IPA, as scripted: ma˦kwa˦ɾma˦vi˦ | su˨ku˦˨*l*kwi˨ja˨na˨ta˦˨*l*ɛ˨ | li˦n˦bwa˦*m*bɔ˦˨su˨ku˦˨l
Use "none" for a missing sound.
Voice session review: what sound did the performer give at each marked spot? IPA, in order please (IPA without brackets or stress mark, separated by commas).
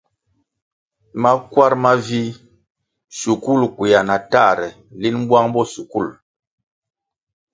l, ɾ, ŋ